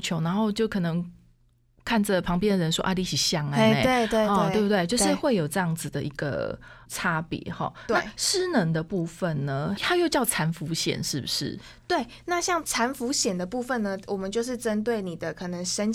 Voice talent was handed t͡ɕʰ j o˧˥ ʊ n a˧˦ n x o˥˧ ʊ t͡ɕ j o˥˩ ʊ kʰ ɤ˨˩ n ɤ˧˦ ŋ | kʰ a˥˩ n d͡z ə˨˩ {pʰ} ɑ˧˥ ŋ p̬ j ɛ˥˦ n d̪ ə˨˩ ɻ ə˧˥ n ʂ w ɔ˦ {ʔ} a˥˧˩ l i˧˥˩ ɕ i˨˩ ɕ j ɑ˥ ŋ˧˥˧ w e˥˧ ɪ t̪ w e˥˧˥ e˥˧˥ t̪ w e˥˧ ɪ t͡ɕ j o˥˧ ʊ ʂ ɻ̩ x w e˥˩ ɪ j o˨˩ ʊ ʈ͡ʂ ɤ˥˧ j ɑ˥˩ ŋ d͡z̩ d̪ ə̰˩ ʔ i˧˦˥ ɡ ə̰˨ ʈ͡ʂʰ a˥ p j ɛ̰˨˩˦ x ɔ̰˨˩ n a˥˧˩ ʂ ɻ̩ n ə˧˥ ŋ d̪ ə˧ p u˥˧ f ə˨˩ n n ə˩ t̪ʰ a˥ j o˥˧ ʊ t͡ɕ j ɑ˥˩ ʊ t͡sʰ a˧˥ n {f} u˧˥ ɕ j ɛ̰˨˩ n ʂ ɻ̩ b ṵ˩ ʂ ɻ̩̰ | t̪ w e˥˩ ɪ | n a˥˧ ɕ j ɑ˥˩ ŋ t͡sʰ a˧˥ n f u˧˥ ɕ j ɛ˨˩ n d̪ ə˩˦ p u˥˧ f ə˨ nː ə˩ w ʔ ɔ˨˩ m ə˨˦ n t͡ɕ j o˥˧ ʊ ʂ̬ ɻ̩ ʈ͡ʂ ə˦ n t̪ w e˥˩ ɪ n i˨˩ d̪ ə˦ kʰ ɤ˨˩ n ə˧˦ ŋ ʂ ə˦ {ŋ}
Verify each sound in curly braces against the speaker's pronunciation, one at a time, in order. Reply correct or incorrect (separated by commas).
correct, correct, correct, incorrect